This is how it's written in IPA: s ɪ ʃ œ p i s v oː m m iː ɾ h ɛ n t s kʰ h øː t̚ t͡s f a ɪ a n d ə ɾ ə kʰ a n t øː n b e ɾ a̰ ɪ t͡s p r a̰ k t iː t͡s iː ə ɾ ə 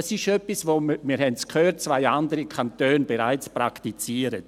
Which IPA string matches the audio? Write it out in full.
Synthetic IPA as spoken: s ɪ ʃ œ p i s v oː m m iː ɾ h ɛ n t s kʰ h øː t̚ t͡s v a ɪ a n d ə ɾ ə kʰ a n t øː n b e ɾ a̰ ɪ t͡s p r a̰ k t i t͡s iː ə ɾ ə